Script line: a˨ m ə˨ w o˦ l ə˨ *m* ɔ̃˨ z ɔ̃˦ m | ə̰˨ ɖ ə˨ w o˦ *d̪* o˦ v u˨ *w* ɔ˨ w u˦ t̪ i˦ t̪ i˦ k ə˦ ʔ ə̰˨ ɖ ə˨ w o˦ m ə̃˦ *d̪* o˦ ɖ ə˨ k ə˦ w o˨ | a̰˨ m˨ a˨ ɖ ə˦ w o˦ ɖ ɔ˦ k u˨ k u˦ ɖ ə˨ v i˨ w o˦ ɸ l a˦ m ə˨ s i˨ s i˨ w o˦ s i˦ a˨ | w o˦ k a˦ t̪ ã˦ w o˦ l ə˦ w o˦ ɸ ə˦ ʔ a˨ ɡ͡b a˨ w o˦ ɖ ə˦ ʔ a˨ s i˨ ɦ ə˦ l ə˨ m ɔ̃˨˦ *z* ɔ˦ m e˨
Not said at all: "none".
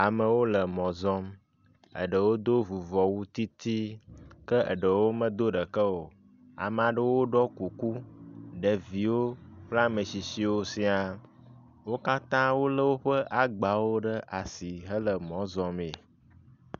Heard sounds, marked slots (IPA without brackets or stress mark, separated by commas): m, d̪, v, d̪, z